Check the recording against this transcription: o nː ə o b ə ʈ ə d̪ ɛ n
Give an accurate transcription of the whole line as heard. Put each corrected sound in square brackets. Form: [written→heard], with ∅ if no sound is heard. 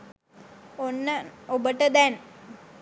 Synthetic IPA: o nː ə o b ə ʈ ə d̪ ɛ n